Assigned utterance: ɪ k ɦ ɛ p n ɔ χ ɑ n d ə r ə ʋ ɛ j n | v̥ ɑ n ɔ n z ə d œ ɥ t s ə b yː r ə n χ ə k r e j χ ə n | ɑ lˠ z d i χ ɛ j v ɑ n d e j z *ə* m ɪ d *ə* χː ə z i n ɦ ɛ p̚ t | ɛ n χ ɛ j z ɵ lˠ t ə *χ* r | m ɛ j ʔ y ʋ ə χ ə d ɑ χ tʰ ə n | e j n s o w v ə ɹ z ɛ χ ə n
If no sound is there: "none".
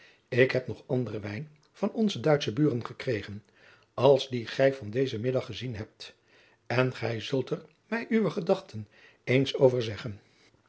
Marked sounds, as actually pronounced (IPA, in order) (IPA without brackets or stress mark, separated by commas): ə, ɑ, none